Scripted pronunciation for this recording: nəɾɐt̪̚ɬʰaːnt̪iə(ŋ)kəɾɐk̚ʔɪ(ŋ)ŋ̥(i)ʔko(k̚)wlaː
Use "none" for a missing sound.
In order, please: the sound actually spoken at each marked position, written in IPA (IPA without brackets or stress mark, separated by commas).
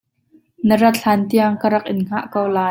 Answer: ŋ, n, a, none